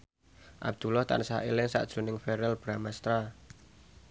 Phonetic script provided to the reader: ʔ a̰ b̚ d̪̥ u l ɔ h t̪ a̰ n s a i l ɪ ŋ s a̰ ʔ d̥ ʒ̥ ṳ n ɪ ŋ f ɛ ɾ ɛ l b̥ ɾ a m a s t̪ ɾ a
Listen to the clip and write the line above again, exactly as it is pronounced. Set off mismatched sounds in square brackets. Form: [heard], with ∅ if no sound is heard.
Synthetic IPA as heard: ʔ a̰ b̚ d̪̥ u l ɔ h t̪ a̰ n s a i l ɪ ŋ s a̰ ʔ d̥ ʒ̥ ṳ n ɪ ŋ f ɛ ɾ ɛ l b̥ ɾ a m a s t̪ ɾ a